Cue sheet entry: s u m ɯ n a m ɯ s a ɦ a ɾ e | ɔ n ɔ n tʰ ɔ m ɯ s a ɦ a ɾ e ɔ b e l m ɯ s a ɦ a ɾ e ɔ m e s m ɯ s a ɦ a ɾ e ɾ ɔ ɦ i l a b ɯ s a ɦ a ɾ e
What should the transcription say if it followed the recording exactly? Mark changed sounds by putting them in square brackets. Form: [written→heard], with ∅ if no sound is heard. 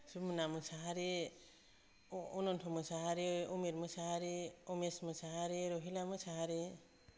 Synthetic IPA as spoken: s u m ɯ n a m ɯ s a ɦ a ɾ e | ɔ n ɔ n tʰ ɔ m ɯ s a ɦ a ɾ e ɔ [b→m] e [l→ɾ] m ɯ s a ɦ a ɾ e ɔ m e s m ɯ s a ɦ a ɾ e ɾ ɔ ɦ i l a [b→m] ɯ s a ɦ a ɾ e